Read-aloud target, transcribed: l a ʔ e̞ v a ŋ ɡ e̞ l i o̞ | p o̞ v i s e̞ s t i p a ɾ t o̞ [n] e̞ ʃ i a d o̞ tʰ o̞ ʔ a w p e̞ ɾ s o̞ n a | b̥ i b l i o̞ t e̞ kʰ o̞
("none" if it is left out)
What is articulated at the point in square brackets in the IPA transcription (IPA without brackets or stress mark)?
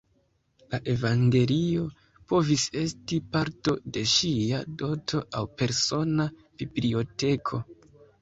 d